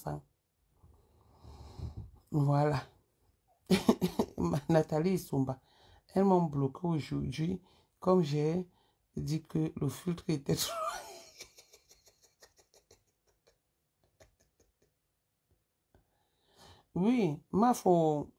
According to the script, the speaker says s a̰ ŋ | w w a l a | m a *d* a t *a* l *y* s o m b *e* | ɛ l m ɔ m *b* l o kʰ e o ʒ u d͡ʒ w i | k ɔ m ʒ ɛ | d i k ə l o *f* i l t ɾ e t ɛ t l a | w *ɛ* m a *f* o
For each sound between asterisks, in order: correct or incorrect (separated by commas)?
incorrect, correct, incorrect, incorrect, correct, correct, incorrect, correct